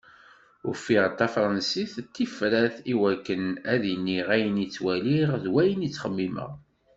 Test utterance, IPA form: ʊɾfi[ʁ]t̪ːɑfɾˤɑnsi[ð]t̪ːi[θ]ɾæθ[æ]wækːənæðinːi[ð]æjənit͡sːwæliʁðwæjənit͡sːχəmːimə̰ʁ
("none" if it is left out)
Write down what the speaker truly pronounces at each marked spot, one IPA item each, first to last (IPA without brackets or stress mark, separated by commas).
ʁ, θ, f, i, ʁ